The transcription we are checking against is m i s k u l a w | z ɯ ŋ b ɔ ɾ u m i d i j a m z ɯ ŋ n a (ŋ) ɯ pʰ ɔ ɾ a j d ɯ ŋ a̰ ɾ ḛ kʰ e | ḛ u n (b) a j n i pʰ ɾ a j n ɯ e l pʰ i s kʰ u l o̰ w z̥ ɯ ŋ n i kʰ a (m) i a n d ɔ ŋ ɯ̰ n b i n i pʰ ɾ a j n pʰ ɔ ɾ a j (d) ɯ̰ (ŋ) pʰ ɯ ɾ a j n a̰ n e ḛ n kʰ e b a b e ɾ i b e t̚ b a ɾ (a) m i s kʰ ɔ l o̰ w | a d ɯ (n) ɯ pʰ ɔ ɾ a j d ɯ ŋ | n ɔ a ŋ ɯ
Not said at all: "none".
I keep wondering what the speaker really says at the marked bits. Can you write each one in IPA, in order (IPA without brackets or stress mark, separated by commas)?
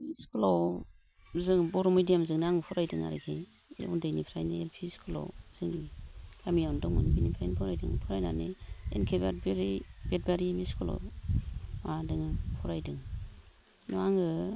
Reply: ŋ, d, m, d, ŋ, i, ŋ